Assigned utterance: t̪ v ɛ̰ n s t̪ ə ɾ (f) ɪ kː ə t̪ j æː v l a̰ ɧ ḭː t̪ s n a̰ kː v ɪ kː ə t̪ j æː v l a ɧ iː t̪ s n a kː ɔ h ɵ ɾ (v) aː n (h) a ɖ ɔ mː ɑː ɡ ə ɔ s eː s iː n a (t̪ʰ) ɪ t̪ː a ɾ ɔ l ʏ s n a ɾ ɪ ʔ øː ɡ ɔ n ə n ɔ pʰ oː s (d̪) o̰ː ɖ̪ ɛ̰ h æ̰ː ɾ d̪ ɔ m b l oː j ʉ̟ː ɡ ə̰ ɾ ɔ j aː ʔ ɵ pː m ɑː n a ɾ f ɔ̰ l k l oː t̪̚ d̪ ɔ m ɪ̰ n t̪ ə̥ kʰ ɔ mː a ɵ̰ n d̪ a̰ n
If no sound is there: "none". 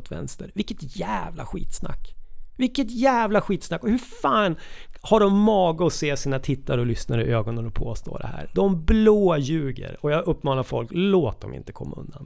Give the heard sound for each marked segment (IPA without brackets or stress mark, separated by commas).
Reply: v, f, h, t̪ʰ, t̪